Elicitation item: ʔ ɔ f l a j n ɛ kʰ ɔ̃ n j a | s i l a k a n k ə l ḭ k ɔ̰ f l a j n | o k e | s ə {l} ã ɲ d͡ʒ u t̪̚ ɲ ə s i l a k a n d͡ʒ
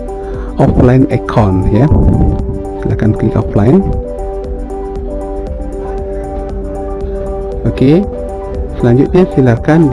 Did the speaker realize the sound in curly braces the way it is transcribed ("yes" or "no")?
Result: yes